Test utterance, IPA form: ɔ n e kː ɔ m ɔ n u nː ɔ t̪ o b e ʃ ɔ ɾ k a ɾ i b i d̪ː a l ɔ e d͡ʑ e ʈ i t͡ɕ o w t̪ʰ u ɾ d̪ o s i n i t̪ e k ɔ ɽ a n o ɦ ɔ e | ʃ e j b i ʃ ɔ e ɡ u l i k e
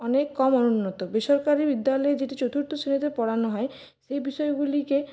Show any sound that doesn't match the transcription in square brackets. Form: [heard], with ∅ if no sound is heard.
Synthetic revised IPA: ɔ n e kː ɔ m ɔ n u nː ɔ t̪ o b e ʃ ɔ ɾ k a ɾ i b i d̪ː a l ɔ e d͡ʑ e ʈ i t͡ɕ o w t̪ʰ u ɾ [t̪] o s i n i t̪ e [p] ɔ ɽ a n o ɦ ɔ e | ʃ e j b i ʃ ɔ e ɡ u l i k e

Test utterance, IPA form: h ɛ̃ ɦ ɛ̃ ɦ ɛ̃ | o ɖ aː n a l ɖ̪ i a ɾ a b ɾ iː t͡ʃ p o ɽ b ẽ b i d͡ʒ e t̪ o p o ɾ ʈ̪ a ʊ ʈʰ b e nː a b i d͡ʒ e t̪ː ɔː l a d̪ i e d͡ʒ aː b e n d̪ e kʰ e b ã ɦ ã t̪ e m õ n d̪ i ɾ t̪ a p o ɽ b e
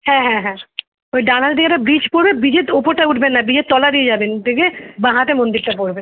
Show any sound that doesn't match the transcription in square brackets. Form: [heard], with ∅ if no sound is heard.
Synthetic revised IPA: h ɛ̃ ɦ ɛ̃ ɦ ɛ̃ | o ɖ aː n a l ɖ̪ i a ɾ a b ɾ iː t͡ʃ p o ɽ b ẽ b i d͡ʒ e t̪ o p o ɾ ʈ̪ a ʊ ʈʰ b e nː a b i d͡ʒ e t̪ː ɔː l a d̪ i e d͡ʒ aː b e n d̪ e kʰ e b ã ɦ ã t̪ e m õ n d̪ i ɾ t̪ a p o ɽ b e

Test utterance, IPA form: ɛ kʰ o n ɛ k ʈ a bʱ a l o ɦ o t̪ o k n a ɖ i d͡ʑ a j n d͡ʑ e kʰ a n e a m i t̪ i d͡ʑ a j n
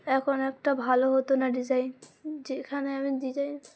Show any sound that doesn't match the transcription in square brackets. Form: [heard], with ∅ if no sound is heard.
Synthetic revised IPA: ɛ kʰ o n ɛ k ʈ a bʱ a l o ɦ o t̪ o [∅] n a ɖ i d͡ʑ a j n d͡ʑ e kʰ a n e a m i [d̪] i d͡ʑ a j n

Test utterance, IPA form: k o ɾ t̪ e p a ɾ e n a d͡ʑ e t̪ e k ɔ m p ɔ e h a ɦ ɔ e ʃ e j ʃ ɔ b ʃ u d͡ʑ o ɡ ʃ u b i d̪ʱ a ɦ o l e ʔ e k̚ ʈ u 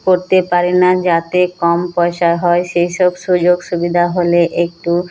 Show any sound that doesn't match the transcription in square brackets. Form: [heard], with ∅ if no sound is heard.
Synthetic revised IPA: k o ɾ t̪ e p a ɾ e n a d͡ʑ [a] t̪ e k ɔ m p ɔ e [ʃ] a ɦ ɔ e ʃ e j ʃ ɔ b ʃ u d͡ʑ o ɡ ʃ u b i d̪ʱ a ɦ o l e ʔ e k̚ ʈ u

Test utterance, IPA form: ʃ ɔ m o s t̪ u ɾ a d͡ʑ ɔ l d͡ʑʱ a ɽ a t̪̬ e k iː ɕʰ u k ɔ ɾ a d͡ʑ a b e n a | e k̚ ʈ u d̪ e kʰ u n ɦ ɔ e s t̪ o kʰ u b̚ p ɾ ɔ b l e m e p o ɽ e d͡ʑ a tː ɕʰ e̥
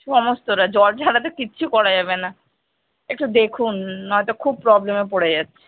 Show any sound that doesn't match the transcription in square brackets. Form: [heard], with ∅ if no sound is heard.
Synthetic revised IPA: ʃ ɔ m o s t̪ [o] ɾ a d͡ʑ ɔ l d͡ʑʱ a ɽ a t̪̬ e k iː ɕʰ u k ɔ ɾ a d͡ʑ a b e n a | e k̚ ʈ u d̪ e kʰ u n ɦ ɔ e [∅] t̪ o kʰ u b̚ p ɾ ɔ b l e m e p o ɽ e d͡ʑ a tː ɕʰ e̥

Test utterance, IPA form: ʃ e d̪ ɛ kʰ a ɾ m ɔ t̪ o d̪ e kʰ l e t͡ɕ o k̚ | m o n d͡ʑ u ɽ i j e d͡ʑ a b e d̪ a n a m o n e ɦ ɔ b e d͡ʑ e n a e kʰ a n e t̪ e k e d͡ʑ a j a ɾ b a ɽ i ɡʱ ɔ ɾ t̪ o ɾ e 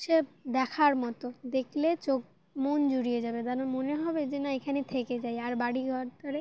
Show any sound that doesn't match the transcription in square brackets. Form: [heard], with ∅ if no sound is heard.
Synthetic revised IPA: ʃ e d̪ ɛ kʰ a ɾ m ɔ t̪ o d̪ e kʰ l e t͡ɕ o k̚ | m o n d͡ʑ u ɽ i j e d͡ʑ a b e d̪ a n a m o n e ɦ ɔ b e d͡ʑ e n a e kʰ a n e [t̪ʰ] e k e d͡ʑ a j a ɾ b a ɽ i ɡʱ ɔ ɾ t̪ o ɾ e

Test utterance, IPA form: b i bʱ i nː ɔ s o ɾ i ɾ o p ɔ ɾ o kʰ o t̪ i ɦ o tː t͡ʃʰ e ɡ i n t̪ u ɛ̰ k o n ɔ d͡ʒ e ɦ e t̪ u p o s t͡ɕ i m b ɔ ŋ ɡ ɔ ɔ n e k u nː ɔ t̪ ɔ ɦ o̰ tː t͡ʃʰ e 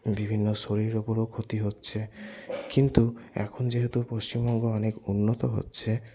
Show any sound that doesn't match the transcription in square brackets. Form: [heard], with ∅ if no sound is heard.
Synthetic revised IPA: b i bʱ i nː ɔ s o ɾ i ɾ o p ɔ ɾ o kʰ o t̪ i ɦ o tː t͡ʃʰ e [k] i n t̪ u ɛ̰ [kʰ] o n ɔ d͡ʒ e ɦ e t̪ u p o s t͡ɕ i m b ɔ ŋ ɡ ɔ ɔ n e k u nː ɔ t̪ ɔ ɦ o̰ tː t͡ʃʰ e

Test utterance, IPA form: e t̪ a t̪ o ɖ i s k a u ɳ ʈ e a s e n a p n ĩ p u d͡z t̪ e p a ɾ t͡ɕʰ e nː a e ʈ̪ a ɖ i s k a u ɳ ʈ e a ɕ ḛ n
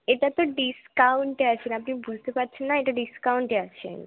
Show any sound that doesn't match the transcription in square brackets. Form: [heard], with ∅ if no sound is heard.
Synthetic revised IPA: e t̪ a t̪ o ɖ i s k a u ɳ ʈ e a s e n a p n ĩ [b] u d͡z t̪ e p a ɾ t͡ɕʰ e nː a e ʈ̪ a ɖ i s k a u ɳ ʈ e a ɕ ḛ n

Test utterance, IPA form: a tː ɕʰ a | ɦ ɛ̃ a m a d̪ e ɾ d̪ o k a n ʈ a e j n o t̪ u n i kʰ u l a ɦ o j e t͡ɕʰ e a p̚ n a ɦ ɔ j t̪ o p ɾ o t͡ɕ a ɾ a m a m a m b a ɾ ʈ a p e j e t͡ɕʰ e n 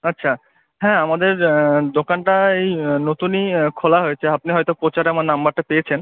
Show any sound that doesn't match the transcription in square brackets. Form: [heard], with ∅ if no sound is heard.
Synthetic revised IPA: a tː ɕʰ a | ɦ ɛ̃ a m a d̪ e ɾ d̪ o k a n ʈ a e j n o t̪ u n i kʰ [o] l a ɦ o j e t͡ɕʰ e a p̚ n [i] ɦ ɔ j t̪ o p ɾ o t͡ɕ a ɾ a m a [n] a m b a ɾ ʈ a p e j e t͡ɕʰ e n

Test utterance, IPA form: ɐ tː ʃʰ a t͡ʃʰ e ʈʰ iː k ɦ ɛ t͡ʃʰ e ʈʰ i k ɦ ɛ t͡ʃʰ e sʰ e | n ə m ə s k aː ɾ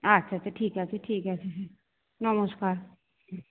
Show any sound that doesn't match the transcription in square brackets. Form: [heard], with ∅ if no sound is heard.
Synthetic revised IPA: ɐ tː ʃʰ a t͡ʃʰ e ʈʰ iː k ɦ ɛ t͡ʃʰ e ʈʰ [iː] k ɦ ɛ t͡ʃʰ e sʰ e | n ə m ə s k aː ɾ

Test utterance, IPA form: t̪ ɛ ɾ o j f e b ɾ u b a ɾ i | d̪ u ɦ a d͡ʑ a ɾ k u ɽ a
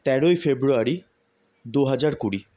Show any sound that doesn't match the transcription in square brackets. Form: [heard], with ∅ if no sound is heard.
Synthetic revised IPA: t̪ ɛ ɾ o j f e b ɾ u [∅] a ɾ i | d̪ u ɦ a d͡ʑ a ɾ k u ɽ [i]

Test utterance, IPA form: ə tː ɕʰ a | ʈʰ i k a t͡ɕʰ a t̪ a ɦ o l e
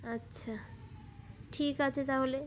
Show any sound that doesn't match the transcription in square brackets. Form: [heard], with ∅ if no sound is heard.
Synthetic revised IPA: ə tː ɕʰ a | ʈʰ i k a t͡ɕʰ [e] t̪ a ɦ o l e

